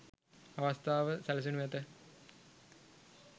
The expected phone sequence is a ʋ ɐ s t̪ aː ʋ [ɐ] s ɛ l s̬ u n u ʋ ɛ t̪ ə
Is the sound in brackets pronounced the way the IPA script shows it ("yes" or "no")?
no